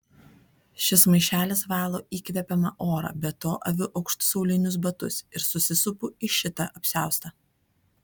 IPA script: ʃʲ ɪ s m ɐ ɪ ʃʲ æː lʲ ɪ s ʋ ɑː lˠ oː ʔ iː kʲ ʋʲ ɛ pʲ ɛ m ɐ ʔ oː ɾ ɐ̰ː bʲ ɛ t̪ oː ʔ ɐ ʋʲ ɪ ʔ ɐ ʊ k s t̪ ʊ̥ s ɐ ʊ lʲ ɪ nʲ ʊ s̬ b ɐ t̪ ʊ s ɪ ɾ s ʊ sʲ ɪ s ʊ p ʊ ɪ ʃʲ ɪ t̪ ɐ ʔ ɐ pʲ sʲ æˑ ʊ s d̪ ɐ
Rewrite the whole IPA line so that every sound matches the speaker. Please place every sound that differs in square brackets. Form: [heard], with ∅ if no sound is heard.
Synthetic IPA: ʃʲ ɪ s m ɐ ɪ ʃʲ æː lʲ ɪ s ʋ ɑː lˠ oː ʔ iː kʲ ʋʲ ɛ pʲ ɛ m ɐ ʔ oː ɾ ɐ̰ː bʲ ɛ t̪ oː ʔ ɐ ʋʲ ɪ ʔ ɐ ʊ k [ʃ] t̪ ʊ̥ s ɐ ʊ lʲ ɪ nʲ ʊ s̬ b ɐ t̪ ʊ s ɪ ɾ s ʊ sʲ ɪ s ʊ p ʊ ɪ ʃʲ ɪ t̪ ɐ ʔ ɐ pʲ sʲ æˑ ʊ s [t̪] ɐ